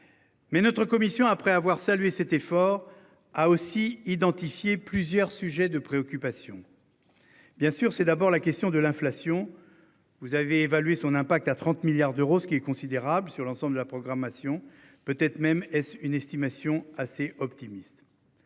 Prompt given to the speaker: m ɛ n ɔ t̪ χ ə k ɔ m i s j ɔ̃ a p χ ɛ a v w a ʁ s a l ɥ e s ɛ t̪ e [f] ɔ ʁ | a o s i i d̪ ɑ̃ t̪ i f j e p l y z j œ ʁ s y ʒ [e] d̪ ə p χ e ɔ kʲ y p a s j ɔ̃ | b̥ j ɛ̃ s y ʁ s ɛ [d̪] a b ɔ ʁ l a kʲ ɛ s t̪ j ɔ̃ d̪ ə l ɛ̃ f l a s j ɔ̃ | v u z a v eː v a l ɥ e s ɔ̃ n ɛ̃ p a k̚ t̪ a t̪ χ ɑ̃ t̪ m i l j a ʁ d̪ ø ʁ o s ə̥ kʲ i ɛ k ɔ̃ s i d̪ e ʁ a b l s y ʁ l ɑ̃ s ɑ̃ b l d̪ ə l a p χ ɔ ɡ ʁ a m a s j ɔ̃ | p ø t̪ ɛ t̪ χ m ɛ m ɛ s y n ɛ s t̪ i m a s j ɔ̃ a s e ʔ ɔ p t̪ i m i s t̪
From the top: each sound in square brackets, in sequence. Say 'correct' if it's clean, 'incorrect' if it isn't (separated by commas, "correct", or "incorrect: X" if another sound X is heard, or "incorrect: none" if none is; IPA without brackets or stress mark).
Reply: correct, incorrect: ɛ, correct